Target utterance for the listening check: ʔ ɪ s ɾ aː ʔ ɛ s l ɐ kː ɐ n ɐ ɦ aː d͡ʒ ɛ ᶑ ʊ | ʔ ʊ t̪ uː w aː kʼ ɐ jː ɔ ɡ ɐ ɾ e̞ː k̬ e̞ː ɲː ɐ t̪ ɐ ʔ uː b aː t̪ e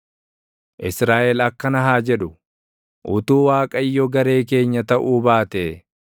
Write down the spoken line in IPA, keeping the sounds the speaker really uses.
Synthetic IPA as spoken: ʔ ɪ s ɾ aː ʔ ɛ l ɐ kː ɐ n ɐ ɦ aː d͡ʒ ɛ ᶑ ʊ | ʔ ʊ t̪ uː w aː kʼ ɐ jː ɔ ɡ ɐ ɾ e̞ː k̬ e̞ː ɲː ɐ t̪ ɐ ʔ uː b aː t̪ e